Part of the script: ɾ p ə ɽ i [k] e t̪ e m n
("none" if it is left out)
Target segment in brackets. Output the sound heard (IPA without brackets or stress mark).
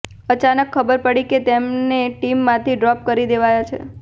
k